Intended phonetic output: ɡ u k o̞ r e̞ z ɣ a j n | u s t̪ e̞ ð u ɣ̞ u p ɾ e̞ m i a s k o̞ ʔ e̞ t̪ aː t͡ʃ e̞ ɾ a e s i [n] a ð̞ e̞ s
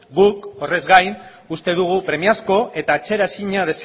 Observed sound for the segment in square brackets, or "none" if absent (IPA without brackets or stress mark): ɲ